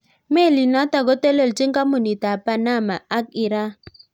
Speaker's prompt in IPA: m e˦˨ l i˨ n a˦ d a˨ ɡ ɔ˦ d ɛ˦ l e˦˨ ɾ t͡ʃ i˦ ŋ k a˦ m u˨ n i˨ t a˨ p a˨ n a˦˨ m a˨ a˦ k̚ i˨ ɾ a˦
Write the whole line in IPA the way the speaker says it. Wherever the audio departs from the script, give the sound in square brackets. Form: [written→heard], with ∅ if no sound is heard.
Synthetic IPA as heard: m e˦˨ l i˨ n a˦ [d→t] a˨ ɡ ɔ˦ [d→t] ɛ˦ l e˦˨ [ɾ→l] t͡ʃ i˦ ŋ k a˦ m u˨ n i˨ t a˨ p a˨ n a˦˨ m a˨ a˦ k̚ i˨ ɾ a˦